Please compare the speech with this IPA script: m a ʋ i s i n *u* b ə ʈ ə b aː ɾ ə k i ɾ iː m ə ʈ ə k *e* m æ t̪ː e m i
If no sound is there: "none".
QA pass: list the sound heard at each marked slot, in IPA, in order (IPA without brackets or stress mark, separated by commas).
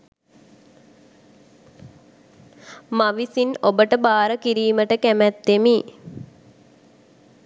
o, æ